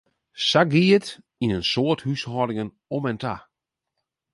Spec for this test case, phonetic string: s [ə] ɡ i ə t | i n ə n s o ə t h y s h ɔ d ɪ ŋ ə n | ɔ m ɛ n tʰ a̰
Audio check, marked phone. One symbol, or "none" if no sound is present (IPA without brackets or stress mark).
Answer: a